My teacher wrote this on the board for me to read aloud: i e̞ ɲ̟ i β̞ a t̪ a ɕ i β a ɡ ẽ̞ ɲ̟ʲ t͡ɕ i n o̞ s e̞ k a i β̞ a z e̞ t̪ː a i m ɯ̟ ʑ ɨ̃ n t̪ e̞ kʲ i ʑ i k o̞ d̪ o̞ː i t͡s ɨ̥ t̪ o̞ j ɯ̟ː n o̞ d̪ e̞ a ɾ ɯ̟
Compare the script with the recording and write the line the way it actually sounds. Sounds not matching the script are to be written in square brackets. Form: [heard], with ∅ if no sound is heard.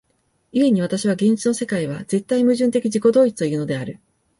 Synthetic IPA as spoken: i e̞ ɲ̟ i β̞ a t̪ a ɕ i β a ɡ ẽ̞ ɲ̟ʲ t͡ɕ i n o̞ s e̞ k a i β̞ a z e̞ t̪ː a i m ɯ̟ ʑ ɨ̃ n t̪ e̞ kʲ i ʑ i k o̞ d̪ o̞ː i t͡s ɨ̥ t̪ o̞ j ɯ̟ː n o̞ d̪ e̞ a ɾ ɯ̟

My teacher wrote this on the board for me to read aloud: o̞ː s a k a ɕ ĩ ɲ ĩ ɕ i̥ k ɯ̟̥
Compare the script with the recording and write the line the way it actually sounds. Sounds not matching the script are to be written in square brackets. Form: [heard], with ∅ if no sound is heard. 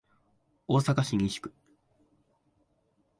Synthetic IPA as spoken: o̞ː s a k a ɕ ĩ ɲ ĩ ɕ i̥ k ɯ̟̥

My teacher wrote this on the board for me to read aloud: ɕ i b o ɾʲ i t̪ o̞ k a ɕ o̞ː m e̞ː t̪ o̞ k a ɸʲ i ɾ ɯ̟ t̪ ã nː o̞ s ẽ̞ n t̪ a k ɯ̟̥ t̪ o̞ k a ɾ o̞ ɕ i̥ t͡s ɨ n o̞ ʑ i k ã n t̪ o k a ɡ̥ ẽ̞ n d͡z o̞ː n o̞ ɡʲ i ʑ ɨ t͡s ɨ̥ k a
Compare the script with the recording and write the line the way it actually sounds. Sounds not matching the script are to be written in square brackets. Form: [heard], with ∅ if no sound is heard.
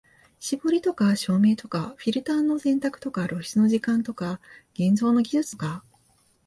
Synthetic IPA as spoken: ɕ i b o ɾʲ i t̪ o̞ k a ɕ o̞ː m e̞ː t̪ o̞ k a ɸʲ i ɾ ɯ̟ t̪ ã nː o̞ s ẽ̞ n t̪ a k ɯ̟̥ t̪ o̞ k a ɾ o̞ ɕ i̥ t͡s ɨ n o̞ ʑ i k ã n t̪ o k a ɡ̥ ẽ̞ n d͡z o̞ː n o̞ ɡʲ i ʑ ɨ t͡s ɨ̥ k a

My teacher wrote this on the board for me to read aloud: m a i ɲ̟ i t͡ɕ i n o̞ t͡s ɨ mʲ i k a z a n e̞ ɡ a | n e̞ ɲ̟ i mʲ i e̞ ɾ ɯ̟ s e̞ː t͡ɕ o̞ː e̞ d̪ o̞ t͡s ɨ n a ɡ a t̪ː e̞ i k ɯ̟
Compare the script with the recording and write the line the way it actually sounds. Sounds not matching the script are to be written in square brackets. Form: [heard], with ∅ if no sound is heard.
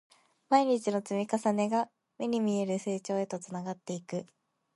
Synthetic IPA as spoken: m a i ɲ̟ i t͡ɕ i n o̞ t͡s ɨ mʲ i k a [s] a n e̞ ɡ a | [m] e̞ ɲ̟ i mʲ i e̞ ɾ ɯ̟ s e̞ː t͡ɕ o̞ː e̞ [t̪] o̞ t͡s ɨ n a ɡ a t̪ː e̞ i k ɯ̟

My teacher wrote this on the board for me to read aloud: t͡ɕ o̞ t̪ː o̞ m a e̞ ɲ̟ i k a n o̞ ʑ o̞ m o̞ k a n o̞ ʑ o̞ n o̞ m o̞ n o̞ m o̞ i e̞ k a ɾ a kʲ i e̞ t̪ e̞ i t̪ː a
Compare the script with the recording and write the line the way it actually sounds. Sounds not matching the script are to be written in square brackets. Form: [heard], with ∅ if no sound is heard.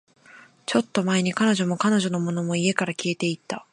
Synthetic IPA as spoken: t͡ɕ o̞ t̪ː o̞ m a e̞ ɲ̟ i k a n o̞ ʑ o̞ m o̞ k a n o̞ ʑ o̞ n o̞ m o̞ n o̞ m o̞ i e̞ k a ɾ a kʲ i e̞ t̪ e̞ i t̪ː a

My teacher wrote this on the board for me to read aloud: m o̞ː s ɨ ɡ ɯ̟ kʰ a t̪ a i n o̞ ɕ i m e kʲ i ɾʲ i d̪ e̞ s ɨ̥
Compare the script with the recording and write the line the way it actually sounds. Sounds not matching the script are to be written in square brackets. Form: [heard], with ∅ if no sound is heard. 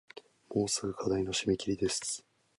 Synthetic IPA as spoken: m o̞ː s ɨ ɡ ɯ̟ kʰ a [d̪] a i n o̞ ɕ i m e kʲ i ɾʲ i d̪ e̞ s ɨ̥

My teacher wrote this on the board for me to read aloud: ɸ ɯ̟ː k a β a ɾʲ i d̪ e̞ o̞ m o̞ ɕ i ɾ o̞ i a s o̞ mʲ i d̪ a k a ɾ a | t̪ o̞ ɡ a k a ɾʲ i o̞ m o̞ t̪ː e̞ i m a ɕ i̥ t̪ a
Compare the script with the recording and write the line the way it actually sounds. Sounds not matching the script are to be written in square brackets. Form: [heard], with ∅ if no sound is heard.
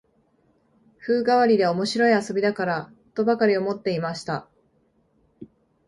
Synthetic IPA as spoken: ɸ ɯ̟ː [ɡ] a β a ɾʲ i d̪ e̞ o̞ m o̞ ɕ i ɾ o̞ i a s o̞ [bʲ] i d̪ a k a ɾ a | t̪ o̞ [b] a k a ɾʲ i o̞ m o̞ t̪ː e̞ i m a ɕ i̥ t̪ a

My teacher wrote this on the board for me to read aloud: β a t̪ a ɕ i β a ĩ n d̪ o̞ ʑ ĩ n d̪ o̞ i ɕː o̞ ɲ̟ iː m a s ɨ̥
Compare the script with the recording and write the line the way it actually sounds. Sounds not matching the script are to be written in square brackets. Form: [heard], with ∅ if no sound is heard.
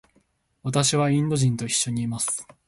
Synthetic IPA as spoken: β a t̪ a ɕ i β a ĩ n d̪ o̞ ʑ ĩ n [t̪] o̞ i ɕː o̞ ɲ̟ iː m a s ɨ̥

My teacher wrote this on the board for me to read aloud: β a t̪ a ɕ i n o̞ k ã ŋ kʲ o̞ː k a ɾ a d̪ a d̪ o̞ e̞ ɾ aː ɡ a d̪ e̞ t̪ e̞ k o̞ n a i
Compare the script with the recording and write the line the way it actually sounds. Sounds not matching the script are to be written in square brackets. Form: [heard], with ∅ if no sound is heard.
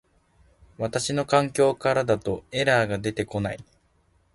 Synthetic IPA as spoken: β a t̪ a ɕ i n o̞ k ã ŋ kʲ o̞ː k a ɾ a d̪ a [t̪] o̞ e̞ ɾ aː ɡ a d̪ e̞ t̪ e̞ k o̞ n a i

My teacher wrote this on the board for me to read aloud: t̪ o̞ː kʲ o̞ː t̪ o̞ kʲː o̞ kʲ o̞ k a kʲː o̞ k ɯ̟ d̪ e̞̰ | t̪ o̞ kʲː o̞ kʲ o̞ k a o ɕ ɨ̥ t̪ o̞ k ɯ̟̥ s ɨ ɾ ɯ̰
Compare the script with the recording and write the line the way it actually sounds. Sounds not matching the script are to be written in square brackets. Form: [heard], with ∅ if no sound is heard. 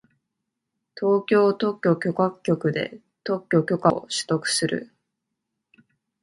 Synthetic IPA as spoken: t̪ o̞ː kʲ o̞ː t̪ o̞ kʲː o̞ kʲ o̞ k a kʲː o̞ k ɯ̟ d̪ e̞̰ | t̪ o̞ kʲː o̞ kʲ o̞ k a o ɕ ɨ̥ t̪ o̞ k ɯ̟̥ s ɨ ɾ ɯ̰

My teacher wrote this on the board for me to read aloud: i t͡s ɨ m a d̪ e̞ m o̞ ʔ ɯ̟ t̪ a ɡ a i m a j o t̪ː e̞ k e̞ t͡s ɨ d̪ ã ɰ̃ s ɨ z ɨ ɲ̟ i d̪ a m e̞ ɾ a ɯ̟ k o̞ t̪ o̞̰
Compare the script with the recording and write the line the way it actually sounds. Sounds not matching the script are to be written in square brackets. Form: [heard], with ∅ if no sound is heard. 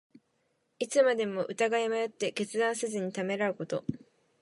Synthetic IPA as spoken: i t͡s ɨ m a d̪ e̞ m o̞ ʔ ɯ̟ t̪ a ɡ a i m a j o t̪ː e̞ k e̞ t͡s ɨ d̪ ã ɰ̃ s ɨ z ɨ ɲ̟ i [t̪] a m e̞ ɾ a ɯ̟ k o̞ t̪ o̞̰

